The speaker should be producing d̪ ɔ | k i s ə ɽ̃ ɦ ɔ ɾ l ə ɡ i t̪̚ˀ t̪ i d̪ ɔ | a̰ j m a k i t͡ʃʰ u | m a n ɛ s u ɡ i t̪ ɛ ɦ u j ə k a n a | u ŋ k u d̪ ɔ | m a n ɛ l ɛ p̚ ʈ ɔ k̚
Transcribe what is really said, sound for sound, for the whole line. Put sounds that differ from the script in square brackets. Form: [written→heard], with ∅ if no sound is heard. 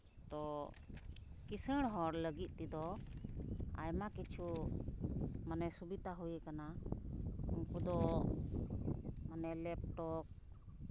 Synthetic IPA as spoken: [d̪→t̪] ɔ | k i s ə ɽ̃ ɦ ɔ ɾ l ə ɡ i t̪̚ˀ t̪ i d̪ ɔ | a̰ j m a k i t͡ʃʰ u | m a n ɛ s u [ɡ→b] i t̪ [ɛ→a] ɦ u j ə k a n a | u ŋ k u d̪ ɔ | m a n ɛ l ɛ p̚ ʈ ɔ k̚

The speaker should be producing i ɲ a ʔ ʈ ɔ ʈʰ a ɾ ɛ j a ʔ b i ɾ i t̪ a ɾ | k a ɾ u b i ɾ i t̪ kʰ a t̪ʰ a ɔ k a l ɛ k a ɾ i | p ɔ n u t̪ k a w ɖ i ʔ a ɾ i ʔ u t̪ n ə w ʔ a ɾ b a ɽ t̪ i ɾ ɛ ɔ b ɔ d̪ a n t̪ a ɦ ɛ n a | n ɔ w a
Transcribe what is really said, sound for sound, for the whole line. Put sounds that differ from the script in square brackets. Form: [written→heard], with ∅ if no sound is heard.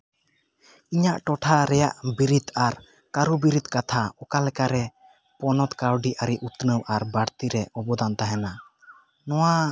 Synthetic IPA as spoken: i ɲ a ʔ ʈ ɔ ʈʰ a ɾ ɛ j a ʔ b i ɾ i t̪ a ɾ | k a ɾ u b i ɾ i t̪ [kʰ→k] a t̪ʰ a ɔ k a l ɛ k a ɾ [i→ɛ] | p ɔ n [u→ɔ] t̪ k a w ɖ i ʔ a ɾ i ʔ u t̪ n ə w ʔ a ɾ b a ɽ t̪ i ɾ ɛ ɔ b ɔ d̪ a n t̪ a ɦ ɛ n a | n ɔ w a

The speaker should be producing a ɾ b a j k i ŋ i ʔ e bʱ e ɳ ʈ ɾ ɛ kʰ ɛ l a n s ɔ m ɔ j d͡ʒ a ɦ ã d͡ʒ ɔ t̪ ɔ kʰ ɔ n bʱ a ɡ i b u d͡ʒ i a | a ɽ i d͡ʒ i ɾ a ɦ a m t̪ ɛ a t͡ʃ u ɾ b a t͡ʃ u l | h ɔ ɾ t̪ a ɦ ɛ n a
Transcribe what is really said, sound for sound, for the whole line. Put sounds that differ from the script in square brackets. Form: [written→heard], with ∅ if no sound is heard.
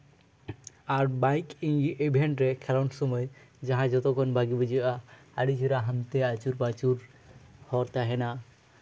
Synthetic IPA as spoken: a ɾ b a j k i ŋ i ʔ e bʱ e ɳ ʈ ɾ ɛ kʰ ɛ l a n s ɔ m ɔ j d͡ʒ a ɦ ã d͡ʒ ɔ t̪ ɔ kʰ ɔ n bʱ a ɡ i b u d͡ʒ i a | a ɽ i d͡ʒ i ɾ a ɦ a m t̪ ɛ a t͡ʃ u ɾ b a t͡ʃ u [l→ɾ] | h ɔ ɾ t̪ a ɦ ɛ n a

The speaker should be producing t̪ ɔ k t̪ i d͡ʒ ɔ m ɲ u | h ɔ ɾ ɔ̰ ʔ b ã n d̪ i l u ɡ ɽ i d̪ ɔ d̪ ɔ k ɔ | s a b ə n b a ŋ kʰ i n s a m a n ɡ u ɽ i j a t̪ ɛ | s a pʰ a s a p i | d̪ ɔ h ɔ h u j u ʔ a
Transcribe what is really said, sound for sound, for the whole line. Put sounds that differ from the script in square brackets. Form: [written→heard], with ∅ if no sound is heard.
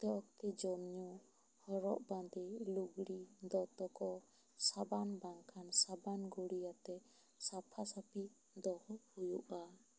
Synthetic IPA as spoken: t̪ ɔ k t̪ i d͡ʒ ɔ m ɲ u | h ɔ ɾ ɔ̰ ʔ b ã n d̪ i l u ɡ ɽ i d̪ ɔ [d̪→t̪] ɔ k ɔ | s a b [ə→a] n b a ŋ kʰ [i→a] n s a [m→b] a n ɡ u ɽ i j a t̪ ɛ | s a pʰ a s a p i | d̪ ɔ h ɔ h u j u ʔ a

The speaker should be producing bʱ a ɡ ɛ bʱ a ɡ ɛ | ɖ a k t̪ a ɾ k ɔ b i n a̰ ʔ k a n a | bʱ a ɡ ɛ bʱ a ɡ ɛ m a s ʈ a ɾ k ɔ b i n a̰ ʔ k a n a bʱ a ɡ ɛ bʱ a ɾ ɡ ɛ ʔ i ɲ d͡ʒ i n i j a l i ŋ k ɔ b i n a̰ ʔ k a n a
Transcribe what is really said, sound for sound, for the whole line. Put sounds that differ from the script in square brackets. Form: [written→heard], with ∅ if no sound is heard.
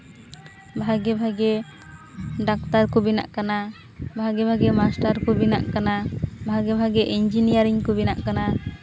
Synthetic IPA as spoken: bʱ a ɡ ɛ bʱ a ɡ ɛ | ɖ a k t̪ a ɾ k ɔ b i n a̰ ʔ k a n a | bʱ a ɡ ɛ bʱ a ɡ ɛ m a s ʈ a ɾ k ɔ b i n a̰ ʔ k a n a bʱ a ɡ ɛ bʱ a [ɾ→∅] ɡ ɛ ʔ i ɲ d͡ʒ i n i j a [l→ɾ] i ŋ k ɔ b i n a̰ ʔ k a n a

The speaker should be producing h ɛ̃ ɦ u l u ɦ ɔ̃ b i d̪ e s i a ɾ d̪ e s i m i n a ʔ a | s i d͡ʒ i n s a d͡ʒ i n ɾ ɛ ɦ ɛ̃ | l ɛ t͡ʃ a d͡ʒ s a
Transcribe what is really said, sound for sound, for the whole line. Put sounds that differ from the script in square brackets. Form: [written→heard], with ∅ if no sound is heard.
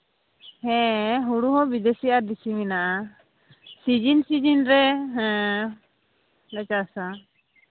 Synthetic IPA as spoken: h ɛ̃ ɦ u [l→ɽ] u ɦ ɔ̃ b i d̪ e s i a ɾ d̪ [e→i] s i m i n a ʔ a | s i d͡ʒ i n s [a→i] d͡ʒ i n ɾ ɛ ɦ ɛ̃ | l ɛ t͡ʃ a [d͡ʒ→∅] s a

